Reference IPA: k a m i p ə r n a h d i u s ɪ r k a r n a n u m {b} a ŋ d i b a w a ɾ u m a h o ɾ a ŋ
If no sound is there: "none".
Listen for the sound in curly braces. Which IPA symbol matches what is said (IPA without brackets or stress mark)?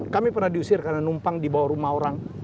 p